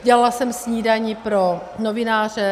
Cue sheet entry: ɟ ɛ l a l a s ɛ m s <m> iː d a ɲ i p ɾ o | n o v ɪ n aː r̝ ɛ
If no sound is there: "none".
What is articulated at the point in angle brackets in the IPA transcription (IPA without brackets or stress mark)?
ɲ